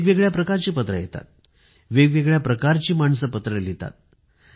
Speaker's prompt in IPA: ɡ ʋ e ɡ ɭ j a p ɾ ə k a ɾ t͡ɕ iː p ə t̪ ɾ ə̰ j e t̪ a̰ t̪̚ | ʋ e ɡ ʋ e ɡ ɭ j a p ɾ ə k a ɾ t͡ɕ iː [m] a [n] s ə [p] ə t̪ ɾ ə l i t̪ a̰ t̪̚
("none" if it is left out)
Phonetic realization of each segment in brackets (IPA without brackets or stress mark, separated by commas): m, ɳ, p